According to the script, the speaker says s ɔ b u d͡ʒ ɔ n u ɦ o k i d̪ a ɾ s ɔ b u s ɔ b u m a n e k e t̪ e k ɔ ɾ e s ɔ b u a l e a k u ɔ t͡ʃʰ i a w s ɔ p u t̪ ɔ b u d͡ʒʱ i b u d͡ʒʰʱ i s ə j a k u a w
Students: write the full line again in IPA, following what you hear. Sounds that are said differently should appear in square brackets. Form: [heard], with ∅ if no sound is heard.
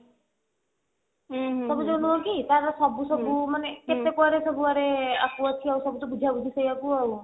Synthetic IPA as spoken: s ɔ b u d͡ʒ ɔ n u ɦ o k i [t̪] a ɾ s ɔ b u s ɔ b u m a n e k e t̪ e k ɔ ɾ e s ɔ b u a [ɾ] e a k u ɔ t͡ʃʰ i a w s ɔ [b] u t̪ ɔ b u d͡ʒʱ [a] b u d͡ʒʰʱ i s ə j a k u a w